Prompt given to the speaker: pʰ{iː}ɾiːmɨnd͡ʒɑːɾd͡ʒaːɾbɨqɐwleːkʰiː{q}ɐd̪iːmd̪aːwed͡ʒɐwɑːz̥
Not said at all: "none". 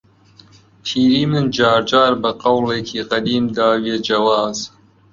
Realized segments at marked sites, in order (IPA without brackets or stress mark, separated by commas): iː, q